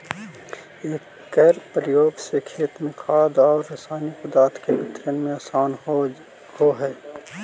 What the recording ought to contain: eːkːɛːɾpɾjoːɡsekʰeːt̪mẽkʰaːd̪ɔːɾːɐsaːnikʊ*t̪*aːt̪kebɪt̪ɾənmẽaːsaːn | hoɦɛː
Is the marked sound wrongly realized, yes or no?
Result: yes